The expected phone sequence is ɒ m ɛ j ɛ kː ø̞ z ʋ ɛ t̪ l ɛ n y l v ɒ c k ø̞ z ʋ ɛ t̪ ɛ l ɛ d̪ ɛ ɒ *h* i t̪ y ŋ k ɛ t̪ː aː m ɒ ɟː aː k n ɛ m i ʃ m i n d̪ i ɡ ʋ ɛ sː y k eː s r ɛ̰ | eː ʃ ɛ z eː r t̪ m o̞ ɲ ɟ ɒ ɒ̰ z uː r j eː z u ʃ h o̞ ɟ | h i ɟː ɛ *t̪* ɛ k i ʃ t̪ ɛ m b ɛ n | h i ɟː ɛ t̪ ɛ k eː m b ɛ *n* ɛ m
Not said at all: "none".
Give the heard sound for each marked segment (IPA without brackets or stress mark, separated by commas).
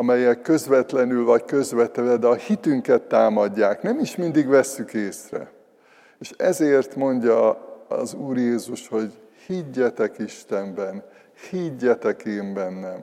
h, t̪, nː